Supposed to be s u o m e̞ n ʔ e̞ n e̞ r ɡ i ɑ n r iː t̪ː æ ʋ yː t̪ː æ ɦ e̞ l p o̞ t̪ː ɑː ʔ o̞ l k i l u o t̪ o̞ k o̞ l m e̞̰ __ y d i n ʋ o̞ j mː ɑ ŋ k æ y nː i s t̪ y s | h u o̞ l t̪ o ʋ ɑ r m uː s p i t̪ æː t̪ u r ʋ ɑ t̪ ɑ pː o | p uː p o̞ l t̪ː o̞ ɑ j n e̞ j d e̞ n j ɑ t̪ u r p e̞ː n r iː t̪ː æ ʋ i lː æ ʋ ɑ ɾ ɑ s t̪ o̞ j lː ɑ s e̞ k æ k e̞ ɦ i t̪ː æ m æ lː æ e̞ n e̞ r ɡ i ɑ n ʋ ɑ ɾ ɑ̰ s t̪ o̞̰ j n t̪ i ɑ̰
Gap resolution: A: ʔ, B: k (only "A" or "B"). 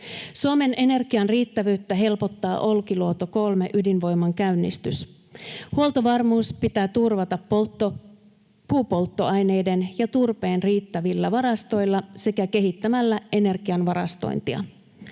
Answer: A